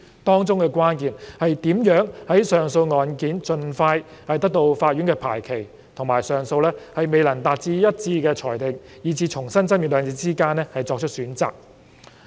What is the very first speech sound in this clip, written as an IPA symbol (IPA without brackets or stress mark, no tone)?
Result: t̪